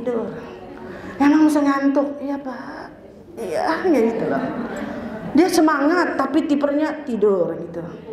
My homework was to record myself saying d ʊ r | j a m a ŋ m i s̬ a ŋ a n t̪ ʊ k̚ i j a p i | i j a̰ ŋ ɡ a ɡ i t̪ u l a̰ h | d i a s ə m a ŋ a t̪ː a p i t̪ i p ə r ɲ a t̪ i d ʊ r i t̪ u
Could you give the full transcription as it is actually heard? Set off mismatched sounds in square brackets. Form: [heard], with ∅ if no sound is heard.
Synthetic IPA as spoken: d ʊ r | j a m a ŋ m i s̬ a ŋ a n t̪ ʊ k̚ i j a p [a] | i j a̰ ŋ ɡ a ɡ i t̪ u l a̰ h | d i a s ə m a ŋ a t̪ː a p i t̪ i p ə r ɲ a t̪ i d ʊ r i t̪ u